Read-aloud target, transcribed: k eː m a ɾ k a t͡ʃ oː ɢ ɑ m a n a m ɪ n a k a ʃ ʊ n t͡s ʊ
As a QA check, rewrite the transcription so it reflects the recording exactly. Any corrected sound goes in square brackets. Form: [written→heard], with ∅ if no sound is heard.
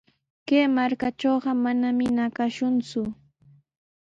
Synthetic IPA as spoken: k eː m a ɾ k a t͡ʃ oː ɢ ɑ m a n a m ɪ n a k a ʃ ʊ n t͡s ʊ